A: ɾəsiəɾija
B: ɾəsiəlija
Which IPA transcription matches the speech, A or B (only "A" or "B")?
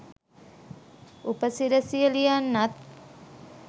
B